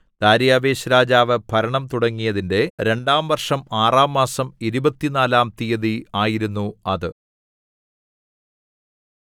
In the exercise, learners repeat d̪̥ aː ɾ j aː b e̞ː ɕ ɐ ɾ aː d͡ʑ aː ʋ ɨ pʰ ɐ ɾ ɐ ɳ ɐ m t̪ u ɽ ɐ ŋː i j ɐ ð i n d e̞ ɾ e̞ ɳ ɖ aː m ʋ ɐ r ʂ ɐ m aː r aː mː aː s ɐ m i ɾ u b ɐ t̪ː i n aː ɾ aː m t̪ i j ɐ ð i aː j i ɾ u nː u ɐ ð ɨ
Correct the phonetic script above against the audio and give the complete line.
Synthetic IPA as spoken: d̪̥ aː ɾ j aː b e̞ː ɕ ɐ ɾ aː d͡ʑ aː ʋ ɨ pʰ ɐ ɾ ɐ ɳ ɐ m t̪ u ɽ ɐ ŋː i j ɐ ð i n d e̞ ɾ e̞ ɳ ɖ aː m ʋ ɐ r ʂ ɐ m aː r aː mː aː s ɐ m i ɾ u b ɐ t̪ː i n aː l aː m t̪ i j ɐ ð i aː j i ɾ u nː u ɐ ð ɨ